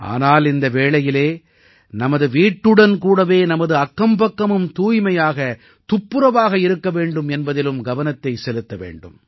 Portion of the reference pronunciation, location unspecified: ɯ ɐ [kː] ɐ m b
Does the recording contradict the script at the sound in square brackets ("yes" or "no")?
no